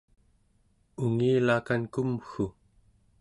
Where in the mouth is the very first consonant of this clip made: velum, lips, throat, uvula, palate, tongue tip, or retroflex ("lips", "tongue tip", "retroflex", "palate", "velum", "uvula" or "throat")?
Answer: velum